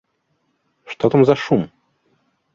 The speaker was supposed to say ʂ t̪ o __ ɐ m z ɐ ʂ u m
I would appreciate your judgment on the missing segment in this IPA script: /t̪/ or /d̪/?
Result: t̪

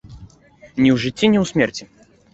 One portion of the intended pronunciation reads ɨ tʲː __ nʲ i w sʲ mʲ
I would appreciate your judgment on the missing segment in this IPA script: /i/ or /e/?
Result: i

